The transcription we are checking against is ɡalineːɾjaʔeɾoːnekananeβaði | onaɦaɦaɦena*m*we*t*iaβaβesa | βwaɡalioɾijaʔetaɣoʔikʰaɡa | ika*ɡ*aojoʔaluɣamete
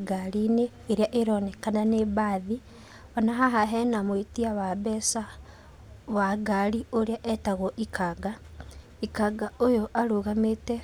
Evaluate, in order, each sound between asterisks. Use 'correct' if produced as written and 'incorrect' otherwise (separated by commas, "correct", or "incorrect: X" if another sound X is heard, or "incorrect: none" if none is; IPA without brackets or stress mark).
correct, correct, correct